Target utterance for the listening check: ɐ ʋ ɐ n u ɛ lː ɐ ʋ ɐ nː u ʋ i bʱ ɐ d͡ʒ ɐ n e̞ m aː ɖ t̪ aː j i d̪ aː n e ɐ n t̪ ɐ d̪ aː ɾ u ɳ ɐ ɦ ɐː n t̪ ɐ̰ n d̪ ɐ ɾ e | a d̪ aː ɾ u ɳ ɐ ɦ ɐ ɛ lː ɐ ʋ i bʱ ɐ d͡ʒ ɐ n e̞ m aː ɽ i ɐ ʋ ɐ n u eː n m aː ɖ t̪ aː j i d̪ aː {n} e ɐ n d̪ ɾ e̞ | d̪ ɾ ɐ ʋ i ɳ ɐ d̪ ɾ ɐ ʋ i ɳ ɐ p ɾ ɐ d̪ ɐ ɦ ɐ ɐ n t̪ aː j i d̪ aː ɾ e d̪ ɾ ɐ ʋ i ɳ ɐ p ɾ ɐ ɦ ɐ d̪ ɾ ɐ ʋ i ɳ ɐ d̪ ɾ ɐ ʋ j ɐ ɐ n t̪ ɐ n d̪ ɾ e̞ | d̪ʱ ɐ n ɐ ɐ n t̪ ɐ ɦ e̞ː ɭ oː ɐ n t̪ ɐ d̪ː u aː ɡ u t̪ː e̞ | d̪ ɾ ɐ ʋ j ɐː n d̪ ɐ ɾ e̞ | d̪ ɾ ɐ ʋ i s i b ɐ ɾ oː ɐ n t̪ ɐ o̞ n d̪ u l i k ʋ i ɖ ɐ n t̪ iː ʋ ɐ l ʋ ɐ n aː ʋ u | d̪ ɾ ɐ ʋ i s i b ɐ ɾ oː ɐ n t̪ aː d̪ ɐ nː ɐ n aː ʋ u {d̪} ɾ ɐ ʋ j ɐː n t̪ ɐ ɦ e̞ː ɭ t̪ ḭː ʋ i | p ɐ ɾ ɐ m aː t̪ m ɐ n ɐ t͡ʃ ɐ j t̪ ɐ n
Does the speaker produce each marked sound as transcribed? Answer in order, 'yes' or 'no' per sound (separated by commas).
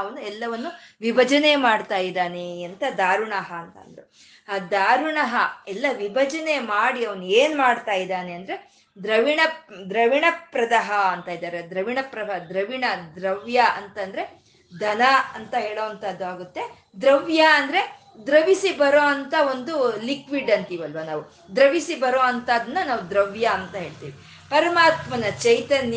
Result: yes, yes